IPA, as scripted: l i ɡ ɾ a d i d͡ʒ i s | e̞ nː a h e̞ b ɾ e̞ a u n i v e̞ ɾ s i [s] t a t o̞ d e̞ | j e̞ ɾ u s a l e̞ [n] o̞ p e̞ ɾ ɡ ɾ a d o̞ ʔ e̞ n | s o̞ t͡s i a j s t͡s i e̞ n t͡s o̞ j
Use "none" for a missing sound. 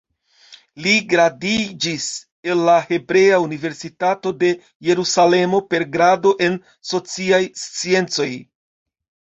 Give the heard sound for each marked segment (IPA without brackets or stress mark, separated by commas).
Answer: none, m